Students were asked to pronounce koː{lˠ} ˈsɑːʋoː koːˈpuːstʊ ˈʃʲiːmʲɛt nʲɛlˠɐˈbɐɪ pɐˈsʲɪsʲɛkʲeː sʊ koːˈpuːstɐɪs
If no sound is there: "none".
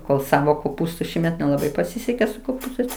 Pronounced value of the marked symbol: lˠ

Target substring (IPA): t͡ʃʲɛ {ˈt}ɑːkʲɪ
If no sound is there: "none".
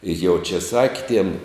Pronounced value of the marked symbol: s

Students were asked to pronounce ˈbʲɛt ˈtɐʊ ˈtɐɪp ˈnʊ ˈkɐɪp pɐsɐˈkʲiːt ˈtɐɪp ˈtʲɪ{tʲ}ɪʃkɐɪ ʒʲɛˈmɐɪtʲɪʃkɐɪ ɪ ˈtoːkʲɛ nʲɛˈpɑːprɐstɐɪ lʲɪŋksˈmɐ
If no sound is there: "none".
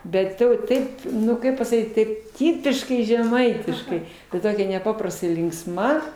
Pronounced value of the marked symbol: pʲ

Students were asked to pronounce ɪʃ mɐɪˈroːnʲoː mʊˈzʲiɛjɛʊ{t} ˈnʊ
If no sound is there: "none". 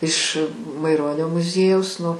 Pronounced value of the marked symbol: s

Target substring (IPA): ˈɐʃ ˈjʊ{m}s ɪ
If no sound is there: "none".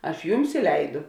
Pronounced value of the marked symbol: m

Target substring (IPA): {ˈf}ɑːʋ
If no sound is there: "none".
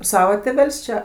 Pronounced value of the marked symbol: s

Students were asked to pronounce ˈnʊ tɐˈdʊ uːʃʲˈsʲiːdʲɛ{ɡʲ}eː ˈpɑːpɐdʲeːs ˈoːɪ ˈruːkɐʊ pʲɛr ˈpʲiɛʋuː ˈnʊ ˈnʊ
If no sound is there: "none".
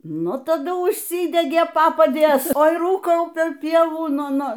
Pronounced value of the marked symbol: ɡʲ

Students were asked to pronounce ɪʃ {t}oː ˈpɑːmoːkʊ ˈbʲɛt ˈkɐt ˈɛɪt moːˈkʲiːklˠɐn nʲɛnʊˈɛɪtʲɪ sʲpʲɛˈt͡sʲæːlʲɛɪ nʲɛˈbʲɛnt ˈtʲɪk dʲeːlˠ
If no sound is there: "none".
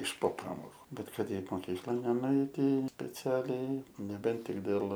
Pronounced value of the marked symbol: p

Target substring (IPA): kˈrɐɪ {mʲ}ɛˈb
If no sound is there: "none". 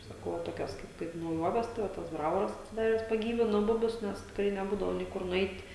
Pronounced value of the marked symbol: nʲ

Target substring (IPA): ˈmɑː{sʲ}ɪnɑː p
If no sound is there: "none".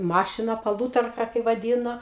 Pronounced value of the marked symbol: ʃʲ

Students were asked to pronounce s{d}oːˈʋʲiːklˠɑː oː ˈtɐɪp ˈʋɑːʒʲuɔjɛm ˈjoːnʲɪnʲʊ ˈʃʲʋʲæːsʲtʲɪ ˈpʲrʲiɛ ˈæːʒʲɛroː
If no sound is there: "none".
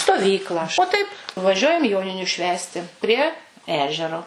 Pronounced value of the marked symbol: t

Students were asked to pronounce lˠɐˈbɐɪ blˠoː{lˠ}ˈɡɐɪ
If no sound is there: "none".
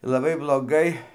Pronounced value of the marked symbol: none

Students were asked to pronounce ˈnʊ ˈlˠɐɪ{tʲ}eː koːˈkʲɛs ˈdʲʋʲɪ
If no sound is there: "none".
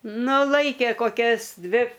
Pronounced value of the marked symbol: kʲ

